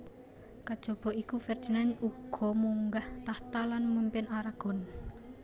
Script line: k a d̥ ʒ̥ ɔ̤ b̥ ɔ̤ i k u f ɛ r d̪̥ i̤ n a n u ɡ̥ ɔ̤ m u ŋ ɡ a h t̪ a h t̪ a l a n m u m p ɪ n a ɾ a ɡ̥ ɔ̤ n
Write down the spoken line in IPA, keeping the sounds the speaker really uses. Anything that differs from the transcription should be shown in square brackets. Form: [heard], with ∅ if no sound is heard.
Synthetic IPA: k a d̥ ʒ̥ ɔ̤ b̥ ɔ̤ i k u f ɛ r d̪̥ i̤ n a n u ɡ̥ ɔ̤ m u ŋ ɡ a h t̪ a h t̪ a l a n m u m p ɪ n a ɾ a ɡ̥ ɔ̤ n